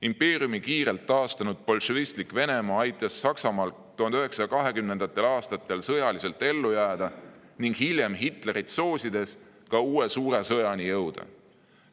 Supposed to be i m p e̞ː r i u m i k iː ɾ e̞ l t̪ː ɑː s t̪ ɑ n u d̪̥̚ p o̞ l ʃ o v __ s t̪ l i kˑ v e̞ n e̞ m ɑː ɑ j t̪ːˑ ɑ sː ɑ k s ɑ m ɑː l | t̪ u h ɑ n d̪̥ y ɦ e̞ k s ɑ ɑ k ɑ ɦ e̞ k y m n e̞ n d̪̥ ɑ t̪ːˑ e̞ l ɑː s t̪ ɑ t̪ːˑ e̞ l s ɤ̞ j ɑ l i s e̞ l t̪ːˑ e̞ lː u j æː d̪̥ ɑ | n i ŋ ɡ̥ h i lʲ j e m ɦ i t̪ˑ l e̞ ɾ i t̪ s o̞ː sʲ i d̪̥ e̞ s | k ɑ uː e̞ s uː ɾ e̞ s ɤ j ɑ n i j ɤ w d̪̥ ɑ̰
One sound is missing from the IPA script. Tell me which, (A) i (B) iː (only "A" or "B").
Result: A